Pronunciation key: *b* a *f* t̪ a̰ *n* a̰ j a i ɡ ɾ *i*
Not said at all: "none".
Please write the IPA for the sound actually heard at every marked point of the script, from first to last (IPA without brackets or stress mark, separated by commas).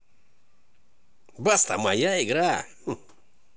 b, s, m, a